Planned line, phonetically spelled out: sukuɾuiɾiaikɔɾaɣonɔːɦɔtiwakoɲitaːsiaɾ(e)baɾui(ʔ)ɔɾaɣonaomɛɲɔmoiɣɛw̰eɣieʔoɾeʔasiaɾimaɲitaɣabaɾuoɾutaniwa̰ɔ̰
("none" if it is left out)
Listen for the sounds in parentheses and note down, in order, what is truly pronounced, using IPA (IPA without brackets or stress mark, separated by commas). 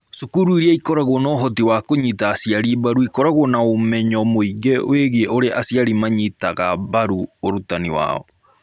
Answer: i, k